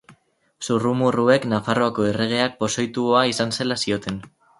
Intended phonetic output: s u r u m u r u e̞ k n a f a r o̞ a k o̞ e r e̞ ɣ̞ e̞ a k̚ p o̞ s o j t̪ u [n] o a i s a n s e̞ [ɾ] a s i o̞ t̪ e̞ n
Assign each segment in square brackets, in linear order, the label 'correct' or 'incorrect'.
incorrect, incorrect

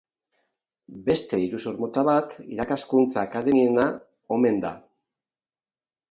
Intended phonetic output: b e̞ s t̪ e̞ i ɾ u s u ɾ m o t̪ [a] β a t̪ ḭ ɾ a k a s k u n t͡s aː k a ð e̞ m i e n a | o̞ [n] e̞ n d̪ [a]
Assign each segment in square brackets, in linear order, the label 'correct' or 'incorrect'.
correct, incorrect, correct

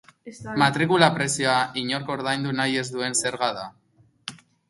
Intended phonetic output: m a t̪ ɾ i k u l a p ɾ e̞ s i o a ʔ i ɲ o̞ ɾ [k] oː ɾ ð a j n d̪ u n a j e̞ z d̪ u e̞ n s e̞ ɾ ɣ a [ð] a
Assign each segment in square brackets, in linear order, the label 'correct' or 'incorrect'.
correct, correct

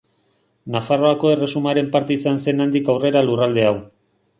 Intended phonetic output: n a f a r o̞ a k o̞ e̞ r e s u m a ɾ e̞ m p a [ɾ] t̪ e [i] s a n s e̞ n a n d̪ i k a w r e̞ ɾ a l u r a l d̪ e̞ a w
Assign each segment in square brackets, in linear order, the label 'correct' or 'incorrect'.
correct, correct

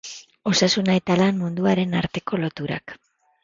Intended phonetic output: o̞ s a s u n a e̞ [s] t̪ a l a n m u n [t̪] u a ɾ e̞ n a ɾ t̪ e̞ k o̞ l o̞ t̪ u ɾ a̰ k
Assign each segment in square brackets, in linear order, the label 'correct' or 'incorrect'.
incorrect, incorrect

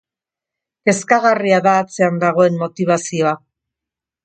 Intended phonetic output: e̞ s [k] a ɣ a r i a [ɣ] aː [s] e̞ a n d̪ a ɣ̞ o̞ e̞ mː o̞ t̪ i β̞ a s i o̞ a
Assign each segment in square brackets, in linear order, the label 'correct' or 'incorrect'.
correct, incorrect, incorrect

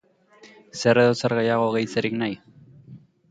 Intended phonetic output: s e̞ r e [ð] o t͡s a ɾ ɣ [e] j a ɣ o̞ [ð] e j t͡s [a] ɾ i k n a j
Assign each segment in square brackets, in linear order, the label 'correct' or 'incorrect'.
correct, correct, incorrect, incorrect

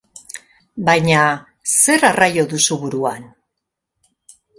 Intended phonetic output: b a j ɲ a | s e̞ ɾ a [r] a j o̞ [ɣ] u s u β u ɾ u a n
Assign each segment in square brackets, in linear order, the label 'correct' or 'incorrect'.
correct, incorrect

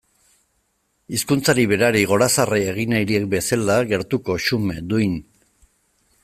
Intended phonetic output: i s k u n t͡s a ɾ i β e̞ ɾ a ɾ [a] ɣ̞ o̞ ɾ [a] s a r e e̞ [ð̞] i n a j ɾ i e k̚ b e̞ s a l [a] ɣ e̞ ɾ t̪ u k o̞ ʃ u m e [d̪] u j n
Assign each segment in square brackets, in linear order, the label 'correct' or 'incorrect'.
incorrect, correct, incorrect, correct, correct

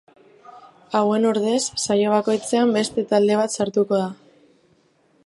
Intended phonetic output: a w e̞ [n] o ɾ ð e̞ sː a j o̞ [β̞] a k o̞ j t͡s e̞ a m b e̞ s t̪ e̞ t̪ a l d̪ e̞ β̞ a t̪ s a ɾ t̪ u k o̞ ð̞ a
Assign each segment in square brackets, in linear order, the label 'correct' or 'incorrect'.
correct, correct

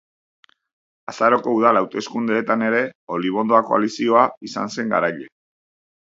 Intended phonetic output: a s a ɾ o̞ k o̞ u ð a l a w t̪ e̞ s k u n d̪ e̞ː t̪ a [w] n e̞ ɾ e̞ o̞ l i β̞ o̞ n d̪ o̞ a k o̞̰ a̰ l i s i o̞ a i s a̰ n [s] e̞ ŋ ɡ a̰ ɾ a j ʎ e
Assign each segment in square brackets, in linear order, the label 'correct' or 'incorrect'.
incorrect, correct

